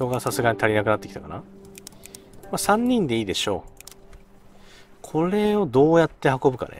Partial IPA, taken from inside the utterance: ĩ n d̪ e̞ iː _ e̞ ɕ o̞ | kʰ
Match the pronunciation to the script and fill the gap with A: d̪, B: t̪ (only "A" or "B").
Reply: A